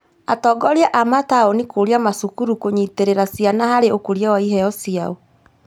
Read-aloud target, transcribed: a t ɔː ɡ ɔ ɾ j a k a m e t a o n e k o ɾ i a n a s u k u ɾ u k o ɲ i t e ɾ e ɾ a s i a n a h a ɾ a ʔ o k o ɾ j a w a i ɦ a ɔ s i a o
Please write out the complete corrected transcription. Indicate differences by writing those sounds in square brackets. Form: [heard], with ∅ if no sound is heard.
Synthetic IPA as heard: a t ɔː ɡ ɔ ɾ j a [ʔ] a m [a] t a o n [i] k o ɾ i a [m] a s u k u ɾ u k o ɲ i t e ɾ e ɾ a s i a n a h a ɾ [e] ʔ o k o ɾ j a w a i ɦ [ɛ] ɔ s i a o